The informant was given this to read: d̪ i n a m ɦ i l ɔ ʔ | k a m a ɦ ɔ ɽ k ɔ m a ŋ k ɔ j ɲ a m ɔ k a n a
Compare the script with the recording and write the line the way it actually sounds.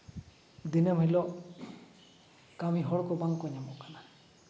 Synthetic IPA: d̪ i n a m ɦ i l ɔ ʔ | k a m i ɦ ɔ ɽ k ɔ b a ŋ k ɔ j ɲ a m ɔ k a n a